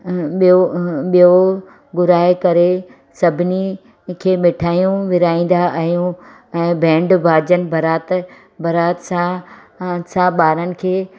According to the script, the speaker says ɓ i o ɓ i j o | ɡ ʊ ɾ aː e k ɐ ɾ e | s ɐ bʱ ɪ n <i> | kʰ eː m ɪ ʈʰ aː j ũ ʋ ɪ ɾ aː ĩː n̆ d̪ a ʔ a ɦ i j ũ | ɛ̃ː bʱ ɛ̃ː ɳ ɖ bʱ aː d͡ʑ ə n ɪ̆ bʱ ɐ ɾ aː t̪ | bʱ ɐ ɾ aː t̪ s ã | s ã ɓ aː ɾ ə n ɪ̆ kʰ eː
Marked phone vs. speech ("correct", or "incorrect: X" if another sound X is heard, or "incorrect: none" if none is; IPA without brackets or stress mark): correct